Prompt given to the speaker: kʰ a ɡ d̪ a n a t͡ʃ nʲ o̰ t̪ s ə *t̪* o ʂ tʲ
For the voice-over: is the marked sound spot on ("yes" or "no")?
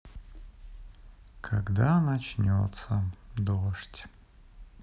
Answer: no